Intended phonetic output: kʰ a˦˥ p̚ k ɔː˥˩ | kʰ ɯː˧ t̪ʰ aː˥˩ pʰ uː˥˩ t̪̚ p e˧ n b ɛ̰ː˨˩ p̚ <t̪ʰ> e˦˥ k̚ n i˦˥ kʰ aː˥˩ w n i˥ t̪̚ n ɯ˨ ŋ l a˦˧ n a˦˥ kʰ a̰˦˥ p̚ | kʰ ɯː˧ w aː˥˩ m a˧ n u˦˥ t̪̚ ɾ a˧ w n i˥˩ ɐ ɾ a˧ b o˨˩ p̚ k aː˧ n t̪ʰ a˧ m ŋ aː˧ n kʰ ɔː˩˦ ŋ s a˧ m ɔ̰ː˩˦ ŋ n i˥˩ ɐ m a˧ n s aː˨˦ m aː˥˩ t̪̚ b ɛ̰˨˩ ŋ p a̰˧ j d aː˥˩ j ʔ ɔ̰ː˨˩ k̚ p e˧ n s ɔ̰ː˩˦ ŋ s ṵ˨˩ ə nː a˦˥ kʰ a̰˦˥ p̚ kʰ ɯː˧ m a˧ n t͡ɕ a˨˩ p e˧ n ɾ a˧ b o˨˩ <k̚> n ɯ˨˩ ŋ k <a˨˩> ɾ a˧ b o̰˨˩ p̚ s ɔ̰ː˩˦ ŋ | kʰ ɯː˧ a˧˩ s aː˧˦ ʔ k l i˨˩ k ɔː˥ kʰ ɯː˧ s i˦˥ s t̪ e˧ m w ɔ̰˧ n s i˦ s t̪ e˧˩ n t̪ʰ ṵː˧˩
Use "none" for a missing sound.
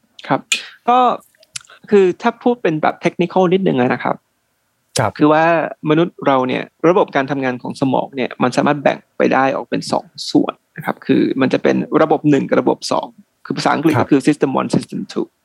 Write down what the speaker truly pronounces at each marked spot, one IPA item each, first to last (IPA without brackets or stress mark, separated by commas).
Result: t̪ʰ, p̚, a˨˩